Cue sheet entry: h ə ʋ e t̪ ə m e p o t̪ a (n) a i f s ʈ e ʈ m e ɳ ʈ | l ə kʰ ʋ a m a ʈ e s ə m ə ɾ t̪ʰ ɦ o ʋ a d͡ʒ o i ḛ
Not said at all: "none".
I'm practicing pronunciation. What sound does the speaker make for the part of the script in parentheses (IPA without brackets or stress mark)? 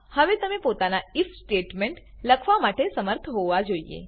n